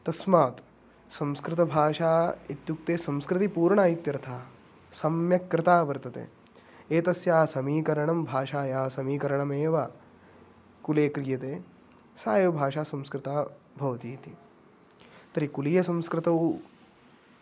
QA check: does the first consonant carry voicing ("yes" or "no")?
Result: no